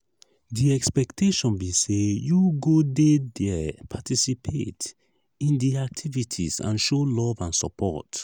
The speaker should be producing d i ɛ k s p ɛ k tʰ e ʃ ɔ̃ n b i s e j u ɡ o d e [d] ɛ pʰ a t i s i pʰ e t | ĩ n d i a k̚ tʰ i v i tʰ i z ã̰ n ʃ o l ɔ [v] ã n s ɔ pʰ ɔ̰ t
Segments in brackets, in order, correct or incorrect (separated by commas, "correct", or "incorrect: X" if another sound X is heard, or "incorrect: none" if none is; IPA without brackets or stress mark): correct, correct